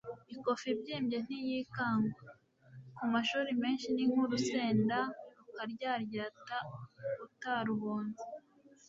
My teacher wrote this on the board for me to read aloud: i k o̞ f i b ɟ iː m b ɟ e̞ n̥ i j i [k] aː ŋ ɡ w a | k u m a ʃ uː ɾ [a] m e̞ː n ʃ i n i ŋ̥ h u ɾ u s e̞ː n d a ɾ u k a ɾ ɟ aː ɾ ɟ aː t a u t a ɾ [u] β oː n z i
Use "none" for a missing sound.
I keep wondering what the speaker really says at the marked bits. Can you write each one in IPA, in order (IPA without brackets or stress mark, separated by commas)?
k, i, u